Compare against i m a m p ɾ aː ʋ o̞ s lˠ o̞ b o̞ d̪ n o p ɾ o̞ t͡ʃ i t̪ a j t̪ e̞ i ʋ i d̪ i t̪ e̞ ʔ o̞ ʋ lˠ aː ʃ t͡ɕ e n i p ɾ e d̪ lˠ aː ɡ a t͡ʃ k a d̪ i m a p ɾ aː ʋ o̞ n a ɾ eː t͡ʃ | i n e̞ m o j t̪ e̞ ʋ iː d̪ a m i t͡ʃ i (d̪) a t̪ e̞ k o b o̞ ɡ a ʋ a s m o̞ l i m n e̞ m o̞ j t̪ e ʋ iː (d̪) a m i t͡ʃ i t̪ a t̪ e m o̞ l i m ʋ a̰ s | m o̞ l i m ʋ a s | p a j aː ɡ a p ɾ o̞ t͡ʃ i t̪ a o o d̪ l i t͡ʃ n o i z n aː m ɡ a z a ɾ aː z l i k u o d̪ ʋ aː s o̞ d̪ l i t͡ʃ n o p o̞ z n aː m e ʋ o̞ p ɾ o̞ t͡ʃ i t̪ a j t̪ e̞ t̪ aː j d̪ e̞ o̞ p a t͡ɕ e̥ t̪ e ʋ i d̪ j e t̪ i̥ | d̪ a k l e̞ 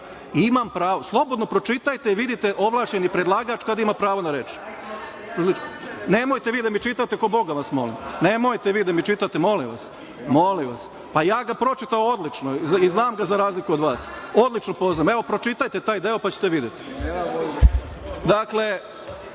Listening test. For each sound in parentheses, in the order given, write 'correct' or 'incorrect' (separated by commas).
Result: incorrect, correct